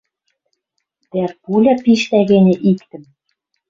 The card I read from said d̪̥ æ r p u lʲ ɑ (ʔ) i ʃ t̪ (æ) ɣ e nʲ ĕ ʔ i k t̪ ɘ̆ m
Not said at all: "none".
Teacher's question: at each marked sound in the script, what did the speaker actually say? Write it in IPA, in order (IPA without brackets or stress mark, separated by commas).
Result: p, æ